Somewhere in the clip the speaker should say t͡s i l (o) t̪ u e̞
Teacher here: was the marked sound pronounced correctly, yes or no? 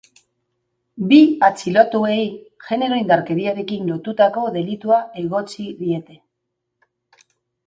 yes